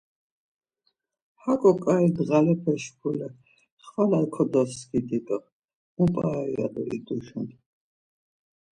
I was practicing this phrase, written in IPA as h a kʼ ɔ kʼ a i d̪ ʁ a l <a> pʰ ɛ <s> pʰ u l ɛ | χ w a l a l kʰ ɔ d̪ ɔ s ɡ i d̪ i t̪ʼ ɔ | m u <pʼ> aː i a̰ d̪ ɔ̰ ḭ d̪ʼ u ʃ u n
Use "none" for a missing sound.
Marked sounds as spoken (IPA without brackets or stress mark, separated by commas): ɛ, ʃ, pʼ